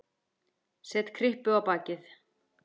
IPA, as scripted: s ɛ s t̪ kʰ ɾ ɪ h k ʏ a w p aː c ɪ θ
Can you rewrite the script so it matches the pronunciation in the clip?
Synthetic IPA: s ɛ t̪ kʰ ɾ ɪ h p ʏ a w p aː c ɪ θ